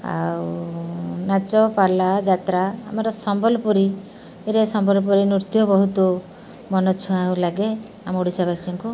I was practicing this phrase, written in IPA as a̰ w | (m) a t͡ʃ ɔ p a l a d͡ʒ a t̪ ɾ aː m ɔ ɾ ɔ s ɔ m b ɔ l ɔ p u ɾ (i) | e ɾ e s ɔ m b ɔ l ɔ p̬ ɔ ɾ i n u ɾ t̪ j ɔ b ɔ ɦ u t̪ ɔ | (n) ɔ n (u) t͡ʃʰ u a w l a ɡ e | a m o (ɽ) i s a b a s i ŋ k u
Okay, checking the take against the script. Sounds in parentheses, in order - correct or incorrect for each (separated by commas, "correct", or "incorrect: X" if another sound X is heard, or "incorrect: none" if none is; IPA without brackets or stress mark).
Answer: incorrect: n, correct, incorrect: m, incorrect: ɔ, correct